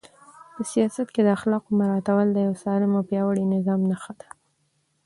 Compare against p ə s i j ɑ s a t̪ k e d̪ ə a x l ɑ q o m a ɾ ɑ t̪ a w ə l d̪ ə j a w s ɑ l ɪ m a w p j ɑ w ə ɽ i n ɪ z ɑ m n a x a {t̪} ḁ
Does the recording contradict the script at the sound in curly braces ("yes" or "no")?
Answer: yes